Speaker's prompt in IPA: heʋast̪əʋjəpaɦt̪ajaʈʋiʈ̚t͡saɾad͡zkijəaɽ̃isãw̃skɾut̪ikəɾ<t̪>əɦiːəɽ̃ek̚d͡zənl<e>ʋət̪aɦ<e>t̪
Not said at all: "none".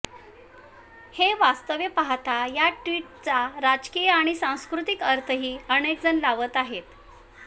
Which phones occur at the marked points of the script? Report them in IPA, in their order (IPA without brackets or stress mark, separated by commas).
t̪ʰ, a, e